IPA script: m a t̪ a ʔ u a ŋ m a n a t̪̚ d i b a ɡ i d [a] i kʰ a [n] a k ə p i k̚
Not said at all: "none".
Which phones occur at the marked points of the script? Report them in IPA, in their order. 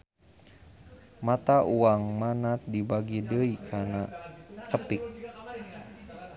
ə, n

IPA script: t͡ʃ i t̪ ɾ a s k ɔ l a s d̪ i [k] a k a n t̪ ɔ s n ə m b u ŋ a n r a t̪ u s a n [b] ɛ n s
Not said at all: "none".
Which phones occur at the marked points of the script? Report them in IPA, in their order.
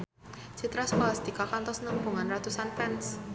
k, p

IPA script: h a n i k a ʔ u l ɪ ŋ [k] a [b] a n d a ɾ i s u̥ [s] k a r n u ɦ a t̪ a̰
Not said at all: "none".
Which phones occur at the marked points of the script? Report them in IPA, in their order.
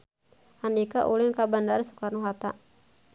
k, b, none

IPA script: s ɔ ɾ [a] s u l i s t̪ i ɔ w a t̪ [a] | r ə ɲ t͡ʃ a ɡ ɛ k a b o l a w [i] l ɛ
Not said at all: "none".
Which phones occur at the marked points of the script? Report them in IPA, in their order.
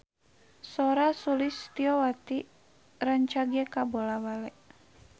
a, i, a

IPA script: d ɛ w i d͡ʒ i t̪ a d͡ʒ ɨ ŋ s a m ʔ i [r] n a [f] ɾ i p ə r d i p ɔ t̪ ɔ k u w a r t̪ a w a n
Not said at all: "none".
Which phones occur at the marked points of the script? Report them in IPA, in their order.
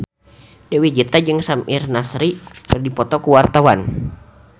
r, s

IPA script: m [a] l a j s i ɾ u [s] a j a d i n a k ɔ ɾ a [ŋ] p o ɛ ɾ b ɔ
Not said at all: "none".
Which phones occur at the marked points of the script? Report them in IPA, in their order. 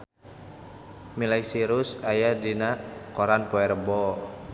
i, s, n

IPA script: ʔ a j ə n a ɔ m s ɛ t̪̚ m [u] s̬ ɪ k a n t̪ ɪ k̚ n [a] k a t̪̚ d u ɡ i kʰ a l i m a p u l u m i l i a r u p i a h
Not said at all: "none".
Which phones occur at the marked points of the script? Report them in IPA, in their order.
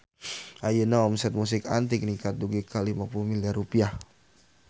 u, i

